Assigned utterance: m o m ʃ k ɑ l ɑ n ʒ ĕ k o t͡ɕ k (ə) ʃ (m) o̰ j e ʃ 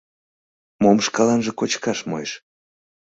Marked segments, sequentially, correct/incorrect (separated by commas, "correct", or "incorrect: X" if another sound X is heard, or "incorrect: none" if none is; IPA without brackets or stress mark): incorrect: ɑ, correct